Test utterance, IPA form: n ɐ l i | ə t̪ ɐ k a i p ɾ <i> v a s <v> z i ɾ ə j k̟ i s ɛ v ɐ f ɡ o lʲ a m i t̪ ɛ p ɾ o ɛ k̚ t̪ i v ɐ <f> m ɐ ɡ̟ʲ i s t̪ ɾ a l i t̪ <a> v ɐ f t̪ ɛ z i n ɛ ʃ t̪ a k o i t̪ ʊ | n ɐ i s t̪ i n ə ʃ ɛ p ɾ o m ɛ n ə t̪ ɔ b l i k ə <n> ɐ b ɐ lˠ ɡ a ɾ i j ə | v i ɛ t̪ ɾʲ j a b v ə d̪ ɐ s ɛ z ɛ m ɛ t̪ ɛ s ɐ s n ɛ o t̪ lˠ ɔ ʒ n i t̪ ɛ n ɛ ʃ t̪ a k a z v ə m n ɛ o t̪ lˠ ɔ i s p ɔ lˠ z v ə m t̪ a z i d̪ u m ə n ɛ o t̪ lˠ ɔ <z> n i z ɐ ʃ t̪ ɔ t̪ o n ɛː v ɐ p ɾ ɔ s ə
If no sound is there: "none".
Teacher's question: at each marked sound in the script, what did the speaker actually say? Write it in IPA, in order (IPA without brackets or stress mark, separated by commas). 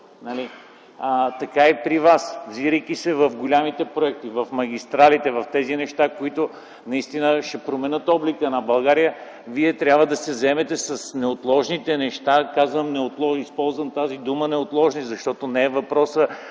i, v, f, ɛ, n, ʒ